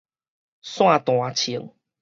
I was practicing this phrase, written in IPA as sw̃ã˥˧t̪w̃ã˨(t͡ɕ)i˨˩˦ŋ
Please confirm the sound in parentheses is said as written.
no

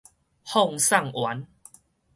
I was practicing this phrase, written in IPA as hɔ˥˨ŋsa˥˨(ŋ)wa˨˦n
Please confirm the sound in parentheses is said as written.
yes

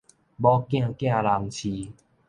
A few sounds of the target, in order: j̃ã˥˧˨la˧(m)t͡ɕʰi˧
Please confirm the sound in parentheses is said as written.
no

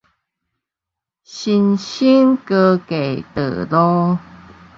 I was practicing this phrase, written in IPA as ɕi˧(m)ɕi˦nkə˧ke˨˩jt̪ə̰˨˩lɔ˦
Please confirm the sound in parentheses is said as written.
no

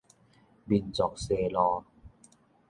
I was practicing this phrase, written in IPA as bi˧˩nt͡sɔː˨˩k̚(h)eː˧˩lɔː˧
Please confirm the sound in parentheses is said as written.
no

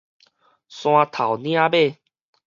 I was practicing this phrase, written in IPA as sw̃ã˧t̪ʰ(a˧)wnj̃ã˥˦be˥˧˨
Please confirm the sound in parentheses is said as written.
no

